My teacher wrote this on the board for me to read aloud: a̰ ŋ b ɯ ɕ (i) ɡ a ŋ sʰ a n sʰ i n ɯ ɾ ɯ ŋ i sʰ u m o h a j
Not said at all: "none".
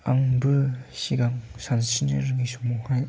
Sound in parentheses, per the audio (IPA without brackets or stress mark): i